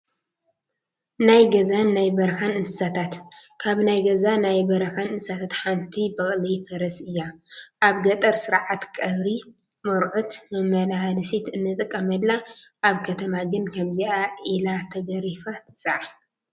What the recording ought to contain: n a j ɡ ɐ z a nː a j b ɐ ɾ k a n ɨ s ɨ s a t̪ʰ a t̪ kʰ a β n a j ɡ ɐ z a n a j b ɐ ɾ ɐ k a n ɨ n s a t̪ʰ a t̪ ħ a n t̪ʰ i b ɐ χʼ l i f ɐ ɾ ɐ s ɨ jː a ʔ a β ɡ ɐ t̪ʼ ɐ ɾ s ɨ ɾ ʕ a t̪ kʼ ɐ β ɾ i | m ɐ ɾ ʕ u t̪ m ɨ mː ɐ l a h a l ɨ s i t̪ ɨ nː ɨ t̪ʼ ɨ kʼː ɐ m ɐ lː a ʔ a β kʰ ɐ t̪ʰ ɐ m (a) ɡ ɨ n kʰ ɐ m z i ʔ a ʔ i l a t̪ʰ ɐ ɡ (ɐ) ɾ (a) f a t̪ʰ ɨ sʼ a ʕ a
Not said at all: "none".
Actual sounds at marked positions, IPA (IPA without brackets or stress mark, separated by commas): a, ɐ, i